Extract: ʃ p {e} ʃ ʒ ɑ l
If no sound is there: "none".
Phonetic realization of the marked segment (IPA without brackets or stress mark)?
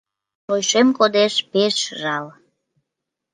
e